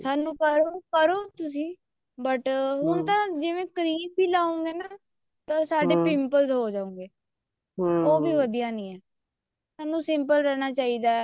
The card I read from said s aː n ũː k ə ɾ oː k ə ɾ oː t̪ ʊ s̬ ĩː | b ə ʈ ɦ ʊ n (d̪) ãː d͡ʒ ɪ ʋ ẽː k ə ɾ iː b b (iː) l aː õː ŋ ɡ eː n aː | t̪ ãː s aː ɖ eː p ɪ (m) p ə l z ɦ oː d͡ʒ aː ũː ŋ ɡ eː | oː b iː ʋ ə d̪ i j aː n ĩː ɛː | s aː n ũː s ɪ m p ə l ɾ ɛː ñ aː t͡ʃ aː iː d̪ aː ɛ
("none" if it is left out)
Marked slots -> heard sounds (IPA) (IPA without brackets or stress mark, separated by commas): t̪, iː, m